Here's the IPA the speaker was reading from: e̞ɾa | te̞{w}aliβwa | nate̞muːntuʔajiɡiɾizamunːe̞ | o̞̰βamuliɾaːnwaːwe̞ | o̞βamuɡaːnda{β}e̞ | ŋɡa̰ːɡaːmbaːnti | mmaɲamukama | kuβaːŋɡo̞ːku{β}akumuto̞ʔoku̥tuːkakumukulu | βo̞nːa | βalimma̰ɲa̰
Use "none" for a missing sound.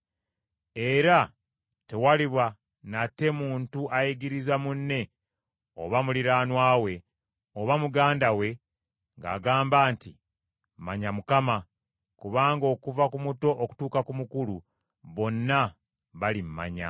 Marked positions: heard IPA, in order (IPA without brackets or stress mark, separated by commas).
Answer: w, w, v